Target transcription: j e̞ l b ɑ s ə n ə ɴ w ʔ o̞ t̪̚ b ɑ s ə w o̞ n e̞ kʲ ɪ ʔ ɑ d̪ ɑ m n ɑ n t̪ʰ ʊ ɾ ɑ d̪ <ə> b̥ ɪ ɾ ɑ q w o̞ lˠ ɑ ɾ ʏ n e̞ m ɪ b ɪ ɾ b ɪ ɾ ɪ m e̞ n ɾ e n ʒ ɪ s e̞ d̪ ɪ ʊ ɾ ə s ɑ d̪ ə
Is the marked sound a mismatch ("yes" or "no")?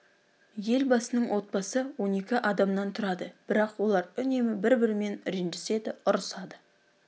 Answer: no